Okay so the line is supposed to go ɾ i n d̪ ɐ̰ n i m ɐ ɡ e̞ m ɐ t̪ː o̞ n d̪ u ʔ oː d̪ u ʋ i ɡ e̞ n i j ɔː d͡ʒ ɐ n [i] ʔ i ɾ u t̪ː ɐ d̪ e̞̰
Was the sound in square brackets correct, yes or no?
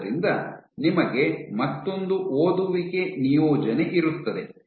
no